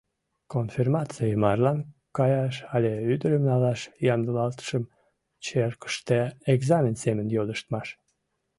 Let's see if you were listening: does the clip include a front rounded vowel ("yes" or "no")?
yes